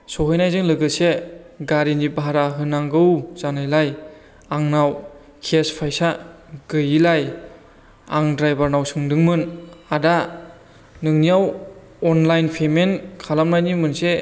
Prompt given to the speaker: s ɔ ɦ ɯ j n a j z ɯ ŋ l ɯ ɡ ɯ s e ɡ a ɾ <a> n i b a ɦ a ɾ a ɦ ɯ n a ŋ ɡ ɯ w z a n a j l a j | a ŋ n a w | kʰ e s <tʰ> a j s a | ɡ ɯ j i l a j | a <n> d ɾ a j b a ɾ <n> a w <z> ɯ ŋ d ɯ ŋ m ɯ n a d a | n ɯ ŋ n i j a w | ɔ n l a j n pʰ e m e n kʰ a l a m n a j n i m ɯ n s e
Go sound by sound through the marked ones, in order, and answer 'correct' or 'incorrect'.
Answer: incorrect: i, incorrect: pʰ, incorrect: ŋ, correct, incorrect: s

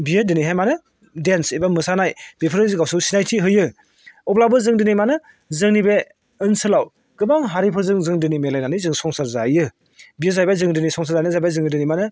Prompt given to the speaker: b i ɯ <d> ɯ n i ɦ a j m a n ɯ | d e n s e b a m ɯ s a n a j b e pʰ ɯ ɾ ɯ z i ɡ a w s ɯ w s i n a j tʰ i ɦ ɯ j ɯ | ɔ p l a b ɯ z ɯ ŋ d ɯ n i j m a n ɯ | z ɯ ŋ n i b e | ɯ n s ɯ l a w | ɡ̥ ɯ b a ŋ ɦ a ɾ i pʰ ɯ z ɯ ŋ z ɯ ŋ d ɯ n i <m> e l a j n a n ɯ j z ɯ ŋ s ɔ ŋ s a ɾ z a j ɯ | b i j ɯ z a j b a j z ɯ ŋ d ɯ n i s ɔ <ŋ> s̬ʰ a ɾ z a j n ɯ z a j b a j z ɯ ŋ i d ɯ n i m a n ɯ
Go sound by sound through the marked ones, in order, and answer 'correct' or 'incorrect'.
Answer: correct, correct, correct

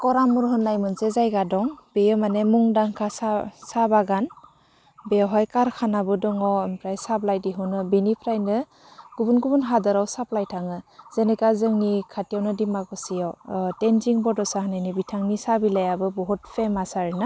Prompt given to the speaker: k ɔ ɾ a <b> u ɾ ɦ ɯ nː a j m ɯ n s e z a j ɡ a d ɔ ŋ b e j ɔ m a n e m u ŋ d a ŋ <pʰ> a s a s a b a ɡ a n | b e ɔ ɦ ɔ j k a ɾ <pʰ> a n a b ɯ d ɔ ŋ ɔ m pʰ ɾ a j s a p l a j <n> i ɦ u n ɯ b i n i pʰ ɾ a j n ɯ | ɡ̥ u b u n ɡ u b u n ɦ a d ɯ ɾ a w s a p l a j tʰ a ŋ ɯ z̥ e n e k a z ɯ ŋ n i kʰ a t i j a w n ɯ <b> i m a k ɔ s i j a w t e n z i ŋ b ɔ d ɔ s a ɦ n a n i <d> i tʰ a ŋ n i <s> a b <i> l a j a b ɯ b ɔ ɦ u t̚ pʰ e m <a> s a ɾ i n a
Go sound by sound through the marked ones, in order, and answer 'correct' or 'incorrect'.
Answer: incorrect: m, incorrect: kʰ, incorrect: kʰ, incorrect: d, incorrect: d, incorrect: b, correct, correct, correct

